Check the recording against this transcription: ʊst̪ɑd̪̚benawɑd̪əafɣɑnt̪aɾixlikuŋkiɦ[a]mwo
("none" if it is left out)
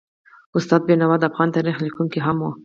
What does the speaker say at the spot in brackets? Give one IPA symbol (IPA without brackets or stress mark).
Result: a